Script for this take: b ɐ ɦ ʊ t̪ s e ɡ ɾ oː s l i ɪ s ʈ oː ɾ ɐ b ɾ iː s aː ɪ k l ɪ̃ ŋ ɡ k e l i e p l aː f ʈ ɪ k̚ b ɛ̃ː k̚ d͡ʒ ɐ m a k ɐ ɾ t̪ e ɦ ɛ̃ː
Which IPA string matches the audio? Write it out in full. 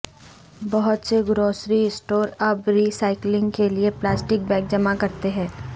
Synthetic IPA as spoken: b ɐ ɦ ʊ t̪ s e ɡ ɾ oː s ɾ i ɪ s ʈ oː ɾ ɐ b ɾ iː s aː ɪ k l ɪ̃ ŋ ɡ k e l i e p l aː s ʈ ɪ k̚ b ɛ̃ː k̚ d͡ʒ ɐ m a k ɐ ɾ t̪ e ɦ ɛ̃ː